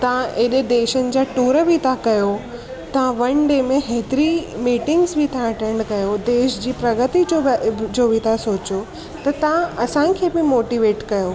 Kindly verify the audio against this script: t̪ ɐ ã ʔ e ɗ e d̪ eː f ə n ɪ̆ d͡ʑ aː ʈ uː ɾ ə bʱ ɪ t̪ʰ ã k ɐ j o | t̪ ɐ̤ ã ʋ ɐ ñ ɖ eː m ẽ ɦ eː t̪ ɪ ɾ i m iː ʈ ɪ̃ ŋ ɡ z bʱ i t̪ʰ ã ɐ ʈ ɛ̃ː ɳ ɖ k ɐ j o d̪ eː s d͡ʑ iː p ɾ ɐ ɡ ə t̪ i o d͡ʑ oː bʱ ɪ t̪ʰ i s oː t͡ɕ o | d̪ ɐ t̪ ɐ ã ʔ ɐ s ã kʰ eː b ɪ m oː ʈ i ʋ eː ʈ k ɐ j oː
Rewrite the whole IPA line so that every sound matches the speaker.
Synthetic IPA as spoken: t̪ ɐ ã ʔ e ɗ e d̪ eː ʃ ə n ɪ̆ d͡ʑ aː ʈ uː ɾ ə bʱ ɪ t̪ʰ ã k ɐ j o | t̪ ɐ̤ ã ʋ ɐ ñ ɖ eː m ẽ ɦ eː t̪ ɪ ɾ i m iː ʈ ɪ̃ ŋ ɡ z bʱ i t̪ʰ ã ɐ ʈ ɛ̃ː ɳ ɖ k ɐ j o d̪ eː ʃ d͡ʑ iː p ɾ ɐ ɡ ə t̪ i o d͡ʑ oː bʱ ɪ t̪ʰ a s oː t͡ɕ o | t̪ ɐ t̪ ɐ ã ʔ ɐ s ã kʰ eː b ɪ m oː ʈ i ʋ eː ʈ k ɐ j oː